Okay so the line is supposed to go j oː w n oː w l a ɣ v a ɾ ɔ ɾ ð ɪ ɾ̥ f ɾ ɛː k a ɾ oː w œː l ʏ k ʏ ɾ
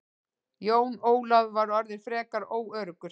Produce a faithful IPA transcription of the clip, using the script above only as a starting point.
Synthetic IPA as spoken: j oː w n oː w l a ð v a ɾ ɔ ɾ ð ɪ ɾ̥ f ɾ ɛː k a ɾ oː w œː ɾ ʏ k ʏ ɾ